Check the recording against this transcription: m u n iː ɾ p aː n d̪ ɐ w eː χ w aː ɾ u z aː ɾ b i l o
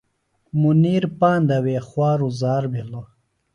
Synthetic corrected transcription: m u n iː ɾ p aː n d̪ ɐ w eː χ w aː ɾ u z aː ɾ b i l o